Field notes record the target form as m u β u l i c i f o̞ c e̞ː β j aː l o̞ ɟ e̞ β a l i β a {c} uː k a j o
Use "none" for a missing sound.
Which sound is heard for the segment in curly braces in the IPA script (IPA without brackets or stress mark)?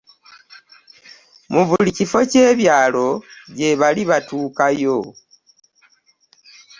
t